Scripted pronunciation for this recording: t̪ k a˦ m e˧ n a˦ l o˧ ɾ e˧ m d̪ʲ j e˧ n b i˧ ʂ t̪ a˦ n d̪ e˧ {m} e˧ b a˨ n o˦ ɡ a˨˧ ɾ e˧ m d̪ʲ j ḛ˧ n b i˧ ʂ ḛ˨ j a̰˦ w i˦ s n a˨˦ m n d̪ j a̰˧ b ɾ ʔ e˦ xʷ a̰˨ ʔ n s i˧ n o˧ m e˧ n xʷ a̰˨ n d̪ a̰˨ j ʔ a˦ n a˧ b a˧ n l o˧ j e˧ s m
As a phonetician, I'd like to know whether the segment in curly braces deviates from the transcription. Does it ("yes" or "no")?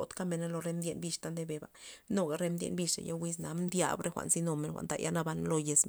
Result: yes